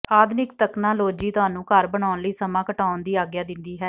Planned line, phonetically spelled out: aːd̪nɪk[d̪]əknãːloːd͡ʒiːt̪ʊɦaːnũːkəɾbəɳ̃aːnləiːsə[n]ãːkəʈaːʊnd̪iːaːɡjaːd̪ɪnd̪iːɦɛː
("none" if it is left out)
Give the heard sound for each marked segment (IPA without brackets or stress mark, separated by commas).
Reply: t̪, m